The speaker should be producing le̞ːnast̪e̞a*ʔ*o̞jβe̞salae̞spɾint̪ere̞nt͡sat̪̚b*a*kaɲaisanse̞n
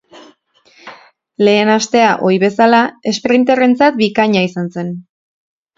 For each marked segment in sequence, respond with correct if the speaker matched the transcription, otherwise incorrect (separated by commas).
correct, incorrect